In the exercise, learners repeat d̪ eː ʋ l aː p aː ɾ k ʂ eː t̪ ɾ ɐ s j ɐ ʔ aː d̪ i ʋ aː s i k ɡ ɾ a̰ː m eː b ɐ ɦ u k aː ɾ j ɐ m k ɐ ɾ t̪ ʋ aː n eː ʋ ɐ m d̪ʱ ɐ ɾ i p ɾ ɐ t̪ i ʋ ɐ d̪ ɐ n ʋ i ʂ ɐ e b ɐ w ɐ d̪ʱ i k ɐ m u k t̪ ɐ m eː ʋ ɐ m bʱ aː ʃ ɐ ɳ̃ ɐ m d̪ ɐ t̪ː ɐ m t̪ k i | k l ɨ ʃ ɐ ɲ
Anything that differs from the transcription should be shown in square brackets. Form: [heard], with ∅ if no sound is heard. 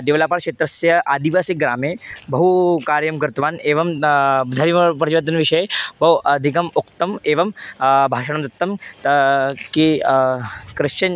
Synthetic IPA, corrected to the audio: d̪ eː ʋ l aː p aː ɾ k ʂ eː t̪ ɾ ɐ s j ɐ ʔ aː d̪ i ʋ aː s i k ɡ ɾ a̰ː m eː b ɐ ɦ u k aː ɾ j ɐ m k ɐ ɾ t̪ ʋ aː n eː ʋ ɐ m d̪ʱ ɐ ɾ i p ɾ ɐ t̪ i ʋ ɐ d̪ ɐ n ʋ i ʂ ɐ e b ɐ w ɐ d̪ʱ i k ɐ m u k t̪ ɐ m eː ʋ ɐ m bʱ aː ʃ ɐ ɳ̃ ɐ m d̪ ɐ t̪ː ɐ m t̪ k i | k [ɾ] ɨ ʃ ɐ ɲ